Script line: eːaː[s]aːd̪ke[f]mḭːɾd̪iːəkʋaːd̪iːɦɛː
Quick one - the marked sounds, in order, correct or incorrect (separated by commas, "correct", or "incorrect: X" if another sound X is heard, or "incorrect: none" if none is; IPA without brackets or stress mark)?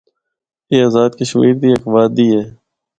incorrect: z, incorrect: ʃ